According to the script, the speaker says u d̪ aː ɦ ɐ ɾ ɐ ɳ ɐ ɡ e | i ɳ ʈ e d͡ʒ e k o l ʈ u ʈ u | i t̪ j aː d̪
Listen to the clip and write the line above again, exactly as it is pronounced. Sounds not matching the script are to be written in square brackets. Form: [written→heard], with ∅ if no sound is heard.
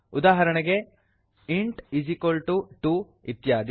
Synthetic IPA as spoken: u d̪ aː ɦ ɐ ɾ ɐ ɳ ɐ ɡ e | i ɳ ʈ [e→i] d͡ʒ [e→i] k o l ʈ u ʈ u | i t̪ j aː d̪

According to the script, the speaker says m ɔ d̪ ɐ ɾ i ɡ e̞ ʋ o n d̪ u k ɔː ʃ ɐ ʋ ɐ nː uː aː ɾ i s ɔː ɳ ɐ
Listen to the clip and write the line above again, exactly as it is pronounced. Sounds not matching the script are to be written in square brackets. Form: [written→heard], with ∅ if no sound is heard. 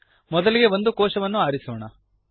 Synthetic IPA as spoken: m ɔ d̪ ɐ [ɾ→l] i ɡ e̞ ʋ o n d̪ u k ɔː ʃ ɐ ʋ ɐ nː [uː→u] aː ɾ i s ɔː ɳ ɐ

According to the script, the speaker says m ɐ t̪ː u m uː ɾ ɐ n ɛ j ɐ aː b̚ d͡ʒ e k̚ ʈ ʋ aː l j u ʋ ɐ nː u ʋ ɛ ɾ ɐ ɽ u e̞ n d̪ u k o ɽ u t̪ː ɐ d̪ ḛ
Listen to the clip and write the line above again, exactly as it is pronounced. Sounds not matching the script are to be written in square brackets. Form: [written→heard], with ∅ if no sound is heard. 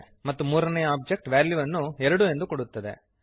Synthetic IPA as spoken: m ɐ t̪ː u m uː ɾ ɐ n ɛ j ɐ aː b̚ d͡ʒ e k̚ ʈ ʋ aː l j u ʋ ɐ nː u [ʋ→∅] ɛ ɾ ɐ ɽ u e̞ n d̪ u k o ɽ u t̪ː ɐ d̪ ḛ

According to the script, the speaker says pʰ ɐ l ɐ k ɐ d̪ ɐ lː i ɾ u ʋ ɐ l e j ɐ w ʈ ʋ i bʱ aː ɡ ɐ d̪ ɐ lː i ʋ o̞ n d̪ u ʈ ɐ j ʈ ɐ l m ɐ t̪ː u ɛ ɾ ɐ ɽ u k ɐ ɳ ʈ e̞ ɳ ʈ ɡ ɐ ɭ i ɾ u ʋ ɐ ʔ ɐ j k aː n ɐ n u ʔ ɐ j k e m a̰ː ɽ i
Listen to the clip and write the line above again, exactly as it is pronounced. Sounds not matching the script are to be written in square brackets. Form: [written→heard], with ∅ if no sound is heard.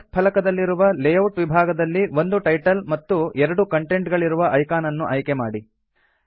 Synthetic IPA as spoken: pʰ ɐ l ɐ k ɐ d̪ ɐ lː i ɾ u ʋ ɐ l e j ɐ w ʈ ʋ i bʱ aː ɡ ɐ d̪ ɐ lː i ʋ o̞ n d̪ u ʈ ɐ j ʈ ɐ l m ɐ t̪ː u ɛ ɾ ɐ ɽ u k ɐ ɳ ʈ e̞ ɳ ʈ ɡ ɐ ɭ i ɾ u ʋ ɐ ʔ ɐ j k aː n ɐ [n→nː] u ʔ ɐ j k e m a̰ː ɽ i

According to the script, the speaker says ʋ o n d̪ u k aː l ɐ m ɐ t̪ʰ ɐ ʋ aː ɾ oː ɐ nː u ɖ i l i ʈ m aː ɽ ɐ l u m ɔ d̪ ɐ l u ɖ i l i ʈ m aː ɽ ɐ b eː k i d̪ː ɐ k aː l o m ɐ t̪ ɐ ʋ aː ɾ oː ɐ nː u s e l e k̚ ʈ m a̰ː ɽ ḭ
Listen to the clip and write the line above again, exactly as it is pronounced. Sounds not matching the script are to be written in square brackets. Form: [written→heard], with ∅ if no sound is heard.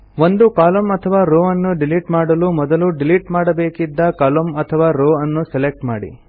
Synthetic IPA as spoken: ʋ o n d̪ u k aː l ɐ m ɐ t̪ʰ ɐ ʋ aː ɾ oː ɐ nː u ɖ i l i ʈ m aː ɽ ɐ l u m ɔ d̪ ɐ l u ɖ i l i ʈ m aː ɽ ɐ b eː k i d̪ː ɐ k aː l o m ɐ [t̪→t̪ʰ] ɐ ʋ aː ɾ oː ɐ nː u s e l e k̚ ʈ m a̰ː ɽ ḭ

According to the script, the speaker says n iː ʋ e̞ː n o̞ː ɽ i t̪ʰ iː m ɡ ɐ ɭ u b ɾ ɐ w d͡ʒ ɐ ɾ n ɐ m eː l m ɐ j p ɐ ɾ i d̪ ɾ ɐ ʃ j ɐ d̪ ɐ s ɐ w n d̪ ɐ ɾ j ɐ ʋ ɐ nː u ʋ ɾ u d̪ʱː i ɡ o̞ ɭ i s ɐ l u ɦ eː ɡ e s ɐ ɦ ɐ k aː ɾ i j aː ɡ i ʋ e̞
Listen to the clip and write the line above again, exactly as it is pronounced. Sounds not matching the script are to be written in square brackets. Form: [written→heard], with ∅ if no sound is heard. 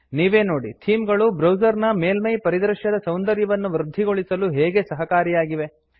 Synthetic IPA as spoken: n iː ʋ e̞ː n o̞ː ɽ i t̪ʰ iː m ɡ ɐ ɭ u b ɾ ɐ w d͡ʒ ɐ ɾ n ɐ m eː l m ɐ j p ɐ ɾ i d̪ ɾ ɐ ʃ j ɐ d̪ ɐ s ɐ w n d̪ ɐ ɾ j ɐ ʋ ɐ nː u ʋ ɾ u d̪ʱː i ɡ o̞ ɭ i s ɐ l u ɦ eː ɡ e s ɐ ɦ ɐ k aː ɾ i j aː ɡ i ʋ e̞

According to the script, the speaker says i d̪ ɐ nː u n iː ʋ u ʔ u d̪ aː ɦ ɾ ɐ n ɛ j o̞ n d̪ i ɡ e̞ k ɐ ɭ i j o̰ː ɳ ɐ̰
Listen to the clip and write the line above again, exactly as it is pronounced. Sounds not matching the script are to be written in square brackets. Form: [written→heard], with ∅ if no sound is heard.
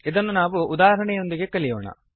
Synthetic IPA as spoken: i d̪ ɐ nː u n [iː→aː] ʋ u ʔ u d̪ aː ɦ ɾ ɐ [n→ɳ] ɛ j o̞ n d̪ i ɡ e̞ k ɐ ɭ i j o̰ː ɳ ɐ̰

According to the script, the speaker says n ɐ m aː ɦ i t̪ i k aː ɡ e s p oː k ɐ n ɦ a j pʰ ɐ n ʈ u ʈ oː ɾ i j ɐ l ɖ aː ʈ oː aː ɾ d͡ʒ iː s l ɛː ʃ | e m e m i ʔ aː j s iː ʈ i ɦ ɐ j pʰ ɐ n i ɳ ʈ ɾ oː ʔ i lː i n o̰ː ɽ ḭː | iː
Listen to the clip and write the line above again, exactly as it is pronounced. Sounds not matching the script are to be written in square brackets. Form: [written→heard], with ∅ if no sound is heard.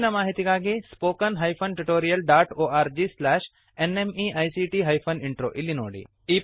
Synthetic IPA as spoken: n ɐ m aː ɦ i t̪ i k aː ɡ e s p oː k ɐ n ɦ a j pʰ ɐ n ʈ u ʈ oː ɾ i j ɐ l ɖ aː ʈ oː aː ɾ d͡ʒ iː s l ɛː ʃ | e [m→n] e m i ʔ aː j s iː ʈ i ɦ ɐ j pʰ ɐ n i ɳ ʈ ɾ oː ʔ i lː i n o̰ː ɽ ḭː | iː

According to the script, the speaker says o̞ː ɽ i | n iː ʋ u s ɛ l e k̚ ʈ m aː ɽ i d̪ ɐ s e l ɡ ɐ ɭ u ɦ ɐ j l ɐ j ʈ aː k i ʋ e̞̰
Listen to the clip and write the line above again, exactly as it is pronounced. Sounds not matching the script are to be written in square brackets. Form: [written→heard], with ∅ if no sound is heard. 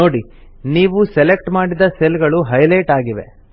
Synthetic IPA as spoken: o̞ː ɽ i | n iː ʋ u s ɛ l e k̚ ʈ m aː ɽ i d̪ ɐ s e l ɡ ɐ ɭ u ɦ ɐ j l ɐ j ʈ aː [k→ɡ] i ʋ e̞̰

